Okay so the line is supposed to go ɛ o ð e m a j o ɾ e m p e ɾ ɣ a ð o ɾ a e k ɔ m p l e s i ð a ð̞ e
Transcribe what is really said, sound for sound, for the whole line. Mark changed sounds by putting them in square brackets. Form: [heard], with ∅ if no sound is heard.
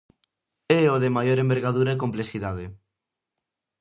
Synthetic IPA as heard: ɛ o ð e m a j o ɾ e m [b] e ɾ ɣ a ð [u] ɾ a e k [o] m p l e s i ð a ð̞ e